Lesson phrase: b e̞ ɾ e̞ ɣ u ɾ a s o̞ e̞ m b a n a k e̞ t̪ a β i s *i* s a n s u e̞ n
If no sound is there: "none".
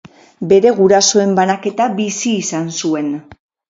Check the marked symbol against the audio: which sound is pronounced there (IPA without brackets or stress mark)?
iː